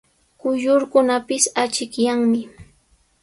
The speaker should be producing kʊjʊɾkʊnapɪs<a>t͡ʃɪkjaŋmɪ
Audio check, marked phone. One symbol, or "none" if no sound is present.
a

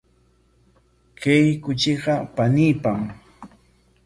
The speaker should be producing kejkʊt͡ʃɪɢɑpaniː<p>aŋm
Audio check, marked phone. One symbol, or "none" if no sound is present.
p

